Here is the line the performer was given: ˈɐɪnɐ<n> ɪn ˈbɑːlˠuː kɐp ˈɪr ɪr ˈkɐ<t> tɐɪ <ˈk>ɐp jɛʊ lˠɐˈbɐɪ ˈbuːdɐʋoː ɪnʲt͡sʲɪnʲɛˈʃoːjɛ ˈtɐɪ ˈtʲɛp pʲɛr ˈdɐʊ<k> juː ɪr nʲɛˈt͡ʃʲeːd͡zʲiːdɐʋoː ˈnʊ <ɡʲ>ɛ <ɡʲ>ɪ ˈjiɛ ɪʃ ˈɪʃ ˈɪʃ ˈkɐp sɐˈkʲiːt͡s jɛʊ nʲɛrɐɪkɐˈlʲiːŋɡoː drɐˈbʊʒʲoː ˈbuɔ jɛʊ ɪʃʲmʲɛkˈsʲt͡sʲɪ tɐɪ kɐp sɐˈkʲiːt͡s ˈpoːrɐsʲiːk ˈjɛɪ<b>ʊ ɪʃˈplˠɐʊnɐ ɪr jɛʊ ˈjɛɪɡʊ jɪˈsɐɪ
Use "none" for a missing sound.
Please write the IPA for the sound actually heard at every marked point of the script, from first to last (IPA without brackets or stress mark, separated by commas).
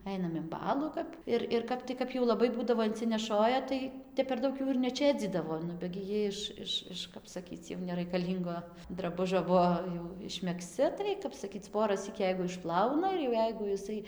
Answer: m, p, k, k, bʲ, ɡʲ, ɡ